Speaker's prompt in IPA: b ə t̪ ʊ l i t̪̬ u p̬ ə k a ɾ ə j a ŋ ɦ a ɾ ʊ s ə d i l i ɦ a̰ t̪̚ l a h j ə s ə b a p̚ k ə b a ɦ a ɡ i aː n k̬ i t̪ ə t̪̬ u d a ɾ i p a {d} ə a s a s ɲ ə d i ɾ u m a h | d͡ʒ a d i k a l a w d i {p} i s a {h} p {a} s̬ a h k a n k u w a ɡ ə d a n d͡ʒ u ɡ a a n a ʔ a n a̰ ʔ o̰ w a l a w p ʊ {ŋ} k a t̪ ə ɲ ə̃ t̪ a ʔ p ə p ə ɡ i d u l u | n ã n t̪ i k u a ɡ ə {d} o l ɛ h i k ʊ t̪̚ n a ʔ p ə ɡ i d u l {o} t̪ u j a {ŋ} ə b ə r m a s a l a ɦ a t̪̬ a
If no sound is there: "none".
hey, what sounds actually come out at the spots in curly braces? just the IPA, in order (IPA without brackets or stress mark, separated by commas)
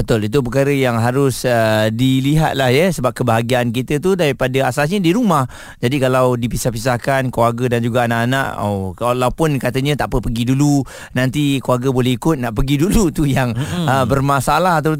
d, p, h, i, n, b, u, ŋ